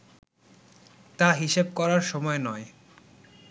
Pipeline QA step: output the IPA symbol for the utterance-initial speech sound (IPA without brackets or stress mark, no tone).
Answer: t̪